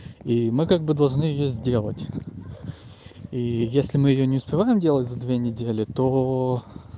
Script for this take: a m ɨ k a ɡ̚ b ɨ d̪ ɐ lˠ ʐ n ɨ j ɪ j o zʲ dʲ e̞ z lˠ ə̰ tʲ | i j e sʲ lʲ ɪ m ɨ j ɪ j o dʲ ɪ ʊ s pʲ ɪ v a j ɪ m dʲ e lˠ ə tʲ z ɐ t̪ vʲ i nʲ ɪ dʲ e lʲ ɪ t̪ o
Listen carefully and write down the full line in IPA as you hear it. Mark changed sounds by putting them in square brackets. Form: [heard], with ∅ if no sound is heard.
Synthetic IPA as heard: [i] m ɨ k a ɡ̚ b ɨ d̪ ɐ lˠ ʐ n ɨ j ɪ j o zʲ dʲ e̞ [∅] lˠ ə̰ tʲ | i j e sʲ lʲ ɪ m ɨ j ɪ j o [nʲ] ɪ ʊ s pʲ ɪ v a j ɪ m dʲ e lˠ ə tʲ z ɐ [d̪] vʲ [e] nʲ ɪ dʲ e lʲ ɪ t̪ o